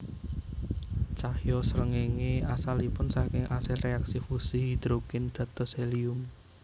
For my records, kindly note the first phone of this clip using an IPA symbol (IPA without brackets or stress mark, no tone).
t͡ʃ